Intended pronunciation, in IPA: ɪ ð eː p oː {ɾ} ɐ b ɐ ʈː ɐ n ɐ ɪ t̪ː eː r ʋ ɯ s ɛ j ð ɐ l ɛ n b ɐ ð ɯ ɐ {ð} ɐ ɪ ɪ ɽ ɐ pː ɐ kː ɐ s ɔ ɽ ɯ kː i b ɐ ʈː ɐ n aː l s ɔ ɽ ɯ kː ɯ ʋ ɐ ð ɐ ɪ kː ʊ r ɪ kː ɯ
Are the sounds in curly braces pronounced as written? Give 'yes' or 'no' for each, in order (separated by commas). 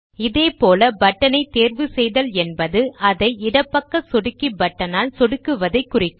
no, yes